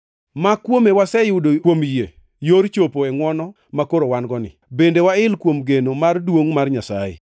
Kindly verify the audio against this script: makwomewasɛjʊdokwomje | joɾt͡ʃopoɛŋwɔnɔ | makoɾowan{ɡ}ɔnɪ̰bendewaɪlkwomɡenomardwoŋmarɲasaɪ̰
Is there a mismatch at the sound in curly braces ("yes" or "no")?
no